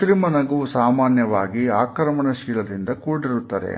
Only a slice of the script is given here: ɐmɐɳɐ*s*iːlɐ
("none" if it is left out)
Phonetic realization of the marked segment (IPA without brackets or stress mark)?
ʃ